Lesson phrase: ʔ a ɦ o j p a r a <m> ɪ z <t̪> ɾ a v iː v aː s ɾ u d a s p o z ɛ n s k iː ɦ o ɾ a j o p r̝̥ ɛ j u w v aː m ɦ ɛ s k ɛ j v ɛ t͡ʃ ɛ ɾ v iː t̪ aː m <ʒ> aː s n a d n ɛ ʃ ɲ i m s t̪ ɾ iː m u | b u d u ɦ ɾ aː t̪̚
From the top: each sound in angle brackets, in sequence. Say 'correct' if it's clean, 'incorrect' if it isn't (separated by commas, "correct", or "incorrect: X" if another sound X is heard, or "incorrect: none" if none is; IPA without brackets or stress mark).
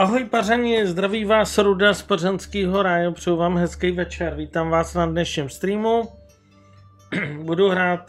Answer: incorrect: ɲ, incorrect: d̪, incorrect: v